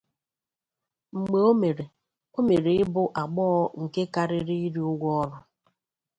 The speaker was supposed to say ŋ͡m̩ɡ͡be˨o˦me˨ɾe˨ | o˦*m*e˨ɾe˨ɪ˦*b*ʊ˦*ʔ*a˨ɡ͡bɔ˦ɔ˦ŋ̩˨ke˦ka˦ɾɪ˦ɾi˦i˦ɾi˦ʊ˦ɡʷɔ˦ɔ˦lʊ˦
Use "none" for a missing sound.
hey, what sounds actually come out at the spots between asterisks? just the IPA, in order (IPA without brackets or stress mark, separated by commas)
m, b, ʔ